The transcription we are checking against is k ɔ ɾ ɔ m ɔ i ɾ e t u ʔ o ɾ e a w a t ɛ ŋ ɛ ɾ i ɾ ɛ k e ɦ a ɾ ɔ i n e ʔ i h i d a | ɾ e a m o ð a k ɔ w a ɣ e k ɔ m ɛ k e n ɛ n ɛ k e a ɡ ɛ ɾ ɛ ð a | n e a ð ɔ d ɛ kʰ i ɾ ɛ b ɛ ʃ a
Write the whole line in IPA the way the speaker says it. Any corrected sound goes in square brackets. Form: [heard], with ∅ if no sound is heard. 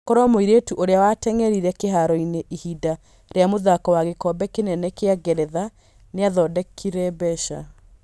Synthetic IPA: k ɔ ɾ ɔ m [o] i ɾ e t u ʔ o ɾ e a w a t ɛ ŋ ɛ ɾ i ɾ ɛ k e ɦ a ɾ ɔ i n e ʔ i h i d a | ɾ e a m o ð a k ɔ w a ɣ e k ɔ [b] ɛ k e n ɛ n ɛ k e a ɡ ɛ ɾ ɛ ð a | n e a ð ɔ d ɛ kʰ i ɾ ɛ b ɛ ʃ a